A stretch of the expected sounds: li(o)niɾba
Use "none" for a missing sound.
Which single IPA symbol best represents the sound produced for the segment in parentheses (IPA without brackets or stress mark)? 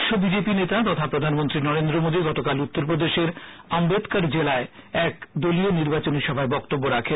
o